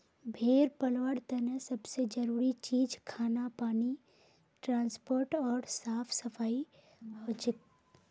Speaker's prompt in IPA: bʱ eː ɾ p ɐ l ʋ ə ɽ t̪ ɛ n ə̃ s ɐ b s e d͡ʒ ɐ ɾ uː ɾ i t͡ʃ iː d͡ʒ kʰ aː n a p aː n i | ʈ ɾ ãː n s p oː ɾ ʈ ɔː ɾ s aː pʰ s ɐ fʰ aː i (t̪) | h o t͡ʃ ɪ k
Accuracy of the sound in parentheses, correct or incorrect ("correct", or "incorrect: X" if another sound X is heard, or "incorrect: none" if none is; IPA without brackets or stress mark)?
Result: incorrect: none